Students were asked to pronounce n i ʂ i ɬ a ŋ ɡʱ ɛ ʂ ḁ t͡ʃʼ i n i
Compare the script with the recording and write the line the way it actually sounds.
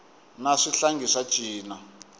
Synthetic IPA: n a ʂ i ɬ a ŋ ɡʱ i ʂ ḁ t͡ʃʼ iː n a